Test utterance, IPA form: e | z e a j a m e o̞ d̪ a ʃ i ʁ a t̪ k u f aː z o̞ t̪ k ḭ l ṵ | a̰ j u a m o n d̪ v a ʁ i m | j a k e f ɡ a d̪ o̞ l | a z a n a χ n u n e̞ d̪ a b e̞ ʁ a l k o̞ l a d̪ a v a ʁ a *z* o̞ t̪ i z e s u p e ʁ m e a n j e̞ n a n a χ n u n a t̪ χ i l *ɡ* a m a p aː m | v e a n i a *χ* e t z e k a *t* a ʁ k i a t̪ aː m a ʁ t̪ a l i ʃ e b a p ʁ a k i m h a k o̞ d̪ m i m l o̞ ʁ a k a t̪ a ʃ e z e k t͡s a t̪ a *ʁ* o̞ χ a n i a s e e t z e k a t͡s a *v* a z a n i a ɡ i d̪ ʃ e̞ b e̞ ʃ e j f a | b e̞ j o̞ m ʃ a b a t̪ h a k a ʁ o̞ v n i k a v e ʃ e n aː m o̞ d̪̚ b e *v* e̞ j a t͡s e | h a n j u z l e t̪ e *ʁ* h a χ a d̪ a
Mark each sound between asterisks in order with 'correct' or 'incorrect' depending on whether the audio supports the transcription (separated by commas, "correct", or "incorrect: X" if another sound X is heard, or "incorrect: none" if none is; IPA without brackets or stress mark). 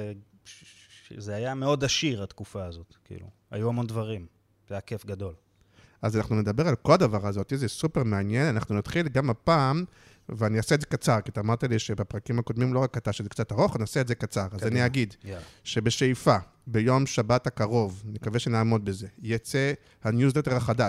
correct, correct, incorrect: s, incorrect: t͡s, correct, incorrect: ʁ, incorrect: z, correct